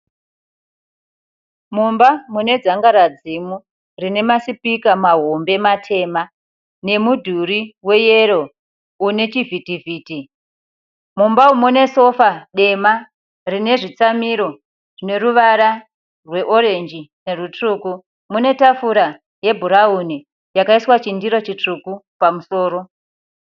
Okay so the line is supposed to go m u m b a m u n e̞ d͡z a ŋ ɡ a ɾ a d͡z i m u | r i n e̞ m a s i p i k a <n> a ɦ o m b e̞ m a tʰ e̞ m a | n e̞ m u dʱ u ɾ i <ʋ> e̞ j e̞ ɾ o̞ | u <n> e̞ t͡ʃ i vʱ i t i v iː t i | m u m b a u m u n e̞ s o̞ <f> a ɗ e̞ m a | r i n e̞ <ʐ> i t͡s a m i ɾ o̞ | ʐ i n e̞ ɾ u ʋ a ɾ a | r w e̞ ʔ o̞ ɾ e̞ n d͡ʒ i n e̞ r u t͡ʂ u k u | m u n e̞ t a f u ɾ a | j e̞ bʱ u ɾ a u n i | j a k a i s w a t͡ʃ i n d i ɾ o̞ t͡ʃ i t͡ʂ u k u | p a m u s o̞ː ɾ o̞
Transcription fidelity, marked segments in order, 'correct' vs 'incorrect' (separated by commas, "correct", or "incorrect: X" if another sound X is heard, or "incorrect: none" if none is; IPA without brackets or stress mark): incorrect: m, incorrect: w, correct, correct, correct